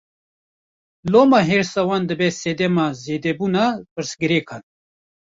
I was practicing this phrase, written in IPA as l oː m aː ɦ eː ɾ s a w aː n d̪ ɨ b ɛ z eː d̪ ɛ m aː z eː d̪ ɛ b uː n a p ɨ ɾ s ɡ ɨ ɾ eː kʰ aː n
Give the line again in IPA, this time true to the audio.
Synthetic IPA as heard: l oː m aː ɦ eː ɾ s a w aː n d̪ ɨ b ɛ s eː d̪ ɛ m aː z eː d̪ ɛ b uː n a p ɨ ɾ s ɡ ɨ ɾ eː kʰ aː n